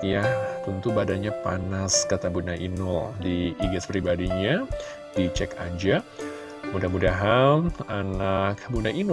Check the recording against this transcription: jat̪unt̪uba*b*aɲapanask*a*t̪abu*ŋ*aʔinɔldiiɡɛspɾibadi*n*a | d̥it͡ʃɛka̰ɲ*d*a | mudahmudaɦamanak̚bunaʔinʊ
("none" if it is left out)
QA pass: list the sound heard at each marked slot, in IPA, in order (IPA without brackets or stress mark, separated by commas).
d, a, n, ɲ, d͡ʒ